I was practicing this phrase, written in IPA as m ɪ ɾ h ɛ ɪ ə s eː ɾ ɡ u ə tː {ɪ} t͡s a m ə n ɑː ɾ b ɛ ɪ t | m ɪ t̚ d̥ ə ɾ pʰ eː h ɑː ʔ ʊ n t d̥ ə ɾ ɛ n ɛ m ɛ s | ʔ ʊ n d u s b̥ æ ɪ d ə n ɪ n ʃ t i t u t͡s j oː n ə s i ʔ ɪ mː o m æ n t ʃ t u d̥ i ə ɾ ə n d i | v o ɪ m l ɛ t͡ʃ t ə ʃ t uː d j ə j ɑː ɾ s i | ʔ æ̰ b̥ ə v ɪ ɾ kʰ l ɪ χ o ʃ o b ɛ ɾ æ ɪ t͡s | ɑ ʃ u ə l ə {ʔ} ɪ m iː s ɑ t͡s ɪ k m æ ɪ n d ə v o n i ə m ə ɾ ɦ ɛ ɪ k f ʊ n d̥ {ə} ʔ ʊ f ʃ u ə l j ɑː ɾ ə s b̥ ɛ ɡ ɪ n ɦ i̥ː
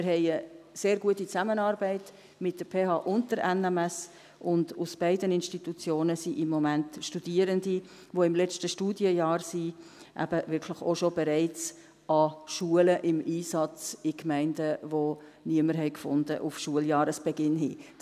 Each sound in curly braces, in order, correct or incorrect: incorrect: i, correct, correct

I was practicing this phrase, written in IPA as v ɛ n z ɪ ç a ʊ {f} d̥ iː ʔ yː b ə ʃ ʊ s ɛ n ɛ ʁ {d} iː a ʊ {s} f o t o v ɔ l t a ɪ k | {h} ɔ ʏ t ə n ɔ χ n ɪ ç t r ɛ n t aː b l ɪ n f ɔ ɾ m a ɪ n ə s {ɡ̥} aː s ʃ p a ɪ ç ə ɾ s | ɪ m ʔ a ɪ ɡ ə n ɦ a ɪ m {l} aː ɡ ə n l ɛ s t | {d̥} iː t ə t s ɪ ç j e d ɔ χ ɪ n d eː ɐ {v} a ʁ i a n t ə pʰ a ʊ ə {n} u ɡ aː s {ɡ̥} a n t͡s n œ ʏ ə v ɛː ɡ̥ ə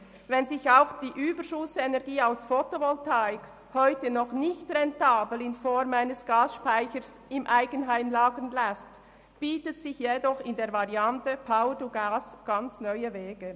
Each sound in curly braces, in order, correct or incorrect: incorrect: x, incorrect: ɡ, correct, correct, correct, correct, incorrect: b̥, correct, incorrect: d, correct

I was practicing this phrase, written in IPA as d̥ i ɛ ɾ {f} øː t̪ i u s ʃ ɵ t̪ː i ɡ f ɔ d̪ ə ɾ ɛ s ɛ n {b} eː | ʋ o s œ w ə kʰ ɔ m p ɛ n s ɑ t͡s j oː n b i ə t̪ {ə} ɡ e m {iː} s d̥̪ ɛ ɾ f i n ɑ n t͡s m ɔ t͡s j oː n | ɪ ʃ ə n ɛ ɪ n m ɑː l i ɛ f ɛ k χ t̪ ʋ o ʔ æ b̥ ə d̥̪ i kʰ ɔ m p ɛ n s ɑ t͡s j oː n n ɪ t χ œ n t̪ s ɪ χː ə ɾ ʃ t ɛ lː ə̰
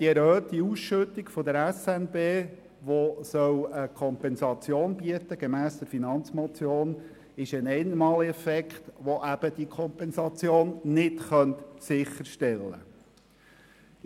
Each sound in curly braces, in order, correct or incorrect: incorrect: h, correct, correct, incorrect: æː

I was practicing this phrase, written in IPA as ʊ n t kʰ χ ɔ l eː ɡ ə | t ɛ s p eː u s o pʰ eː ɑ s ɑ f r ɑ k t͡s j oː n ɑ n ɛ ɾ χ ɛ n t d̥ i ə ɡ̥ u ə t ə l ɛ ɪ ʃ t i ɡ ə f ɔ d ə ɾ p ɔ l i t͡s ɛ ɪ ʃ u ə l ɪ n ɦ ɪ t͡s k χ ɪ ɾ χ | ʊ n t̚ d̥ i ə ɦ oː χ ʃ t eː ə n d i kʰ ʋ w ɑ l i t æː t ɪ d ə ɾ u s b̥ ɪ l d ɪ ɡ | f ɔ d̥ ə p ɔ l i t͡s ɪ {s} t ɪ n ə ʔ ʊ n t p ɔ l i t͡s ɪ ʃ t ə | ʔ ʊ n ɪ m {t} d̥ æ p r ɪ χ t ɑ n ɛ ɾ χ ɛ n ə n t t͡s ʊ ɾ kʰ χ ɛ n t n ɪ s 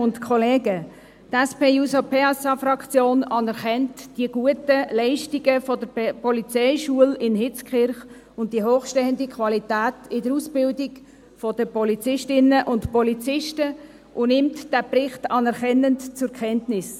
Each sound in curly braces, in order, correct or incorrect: incorrect: ʃ, correct

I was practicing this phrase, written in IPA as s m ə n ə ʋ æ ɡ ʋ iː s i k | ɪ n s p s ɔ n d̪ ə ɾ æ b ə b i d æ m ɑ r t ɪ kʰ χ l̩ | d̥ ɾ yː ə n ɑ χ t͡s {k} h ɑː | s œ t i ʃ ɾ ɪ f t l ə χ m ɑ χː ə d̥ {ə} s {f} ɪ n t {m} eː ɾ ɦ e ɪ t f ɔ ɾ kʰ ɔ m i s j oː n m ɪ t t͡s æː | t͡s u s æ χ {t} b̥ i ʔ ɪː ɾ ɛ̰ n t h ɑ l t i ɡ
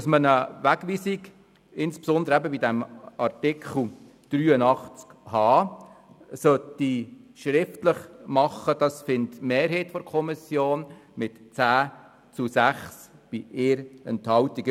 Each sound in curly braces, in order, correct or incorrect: correct, incorrect: ɑ, correct, correct, incorrect: s

